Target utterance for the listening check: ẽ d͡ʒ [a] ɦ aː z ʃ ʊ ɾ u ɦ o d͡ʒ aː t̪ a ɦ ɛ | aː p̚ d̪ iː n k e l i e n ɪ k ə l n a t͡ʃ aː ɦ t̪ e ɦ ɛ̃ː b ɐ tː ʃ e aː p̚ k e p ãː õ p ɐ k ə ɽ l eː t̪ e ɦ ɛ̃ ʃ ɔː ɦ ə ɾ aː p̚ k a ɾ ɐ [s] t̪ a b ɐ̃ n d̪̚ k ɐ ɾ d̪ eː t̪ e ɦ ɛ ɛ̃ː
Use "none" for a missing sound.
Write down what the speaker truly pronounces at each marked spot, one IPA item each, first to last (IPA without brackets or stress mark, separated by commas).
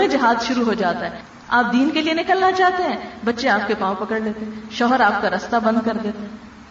ɐ, s